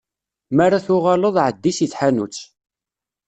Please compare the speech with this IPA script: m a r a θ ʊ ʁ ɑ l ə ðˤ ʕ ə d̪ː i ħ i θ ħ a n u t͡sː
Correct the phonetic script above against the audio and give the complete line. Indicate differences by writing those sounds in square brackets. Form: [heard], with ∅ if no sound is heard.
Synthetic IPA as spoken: m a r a θ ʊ ʁ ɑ l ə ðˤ ʕ ə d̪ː i [s] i θ ħ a n u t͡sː